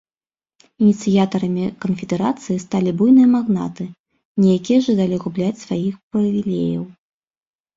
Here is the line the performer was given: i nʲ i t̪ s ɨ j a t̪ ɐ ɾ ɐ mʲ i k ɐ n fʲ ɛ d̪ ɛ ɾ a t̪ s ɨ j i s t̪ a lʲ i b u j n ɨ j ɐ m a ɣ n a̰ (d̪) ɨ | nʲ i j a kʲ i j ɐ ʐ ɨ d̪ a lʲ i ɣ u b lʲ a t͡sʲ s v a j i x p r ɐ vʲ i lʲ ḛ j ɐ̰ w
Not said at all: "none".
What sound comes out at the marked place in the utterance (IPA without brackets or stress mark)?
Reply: t̪